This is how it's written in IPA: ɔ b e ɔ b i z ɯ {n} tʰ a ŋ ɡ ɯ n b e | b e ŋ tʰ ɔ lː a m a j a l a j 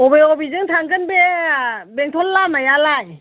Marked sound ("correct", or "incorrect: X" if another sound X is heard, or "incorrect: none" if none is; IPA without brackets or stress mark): incorrect: ŋ